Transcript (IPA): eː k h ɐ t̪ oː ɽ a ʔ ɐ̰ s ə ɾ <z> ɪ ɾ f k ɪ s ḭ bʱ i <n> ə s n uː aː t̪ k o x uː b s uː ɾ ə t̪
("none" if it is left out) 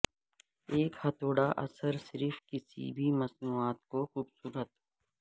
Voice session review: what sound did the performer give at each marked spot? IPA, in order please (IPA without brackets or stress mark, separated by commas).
s, m